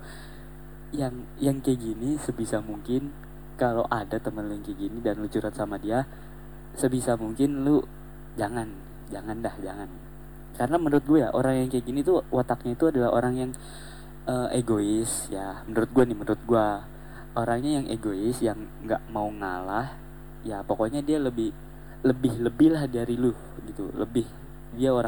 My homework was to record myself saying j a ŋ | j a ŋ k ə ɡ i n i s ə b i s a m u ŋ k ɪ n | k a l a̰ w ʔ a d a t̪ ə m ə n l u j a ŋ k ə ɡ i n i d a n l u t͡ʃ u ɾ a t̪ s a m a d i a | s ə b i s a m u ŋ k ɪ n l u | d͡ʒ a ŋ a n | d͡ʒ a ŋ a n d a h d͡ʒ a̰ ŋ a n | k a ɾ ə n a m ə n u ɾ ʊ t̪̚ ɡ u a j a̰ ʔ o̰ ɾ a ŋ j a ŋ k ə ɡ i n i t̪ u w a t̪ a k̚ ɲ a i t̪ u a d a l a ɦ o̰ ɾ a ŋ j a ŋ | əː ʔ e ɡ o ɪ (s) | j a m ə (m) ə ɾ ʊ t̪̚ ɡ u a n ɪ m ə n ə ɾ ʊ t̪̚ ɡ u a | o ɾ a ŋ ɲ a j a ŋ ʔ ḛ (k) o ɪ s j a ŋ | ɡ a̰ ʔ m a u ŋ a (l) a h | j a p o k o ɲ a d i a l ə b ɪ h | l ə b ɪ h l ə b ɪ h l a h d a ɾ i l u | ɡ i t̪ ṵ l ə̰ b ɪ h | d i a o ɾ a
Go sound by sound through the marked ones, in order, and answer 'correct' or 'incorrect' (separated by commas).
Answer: correct, incorrect, incorrect, correct